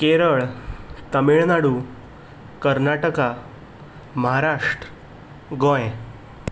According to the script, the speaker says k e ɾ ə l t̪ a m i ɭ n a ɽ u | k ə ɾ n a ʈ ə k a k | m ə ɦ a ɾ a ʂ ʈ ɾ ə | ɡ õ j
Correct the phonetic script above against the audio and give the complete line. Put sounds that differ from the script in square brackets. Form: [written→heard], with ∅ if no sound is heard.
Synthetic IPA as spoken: k e ɾ ə [l→ɭ] t̪ [a→ə] m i ɭ n a ɽ u | k ə ɾ n a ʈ ə k a [k→∅] | m ə ɦ a ɾ a ʂ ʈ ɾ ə | ɡ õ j